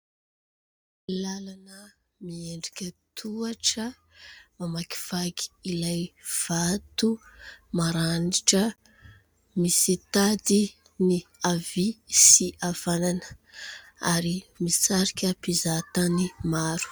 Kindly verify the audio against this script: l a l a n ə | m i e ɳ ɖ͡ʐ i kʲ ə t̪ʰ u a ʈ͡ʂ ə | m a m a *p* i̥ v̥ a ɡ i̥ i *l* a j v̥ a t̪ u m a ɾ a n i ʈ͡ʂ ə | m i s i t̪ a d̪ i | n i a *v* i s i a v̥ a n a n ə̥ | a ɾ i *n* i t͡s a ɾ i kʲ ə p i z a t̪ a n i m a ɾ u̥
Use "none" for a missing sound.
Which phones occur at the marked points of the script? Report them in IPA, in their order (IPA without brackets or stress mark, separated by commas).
k, l, v, m